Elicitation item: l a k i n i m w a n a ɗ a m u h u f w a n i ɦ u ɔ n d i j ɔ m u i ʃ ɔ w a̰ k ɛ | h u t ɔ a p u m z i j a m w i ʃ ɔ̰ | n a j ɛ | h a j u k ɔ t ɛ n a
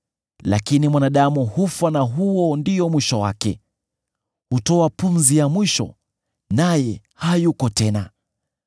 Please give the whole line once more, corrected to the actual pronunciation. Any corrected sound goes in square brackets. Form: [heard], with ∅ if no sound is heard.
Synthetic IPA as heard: l a k i n i m w a n a ɗ a m u h u f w a n [a] ɦ u ɔ n d i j ɔ m [w] i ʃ ɔ w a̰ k ɛ | h u t ɔ a p u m z i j a m w i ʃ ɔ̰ | n a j ɛ | h a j u k ɔ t ɛ n a